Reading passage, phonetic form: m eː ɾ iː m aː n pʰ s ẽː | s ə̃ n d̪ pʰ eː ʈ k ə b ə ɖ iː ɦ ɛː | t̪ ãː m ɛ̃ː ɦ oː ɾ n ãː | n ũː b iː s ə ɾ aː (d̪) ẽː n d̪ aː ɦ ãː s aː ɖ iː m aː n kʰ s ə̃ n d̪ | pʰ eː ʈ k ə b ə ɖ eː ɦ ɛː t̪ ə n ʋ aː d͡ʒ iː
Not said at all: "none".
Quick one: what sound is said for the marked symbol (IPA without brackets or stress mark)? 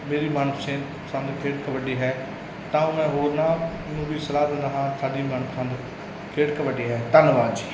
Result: d̪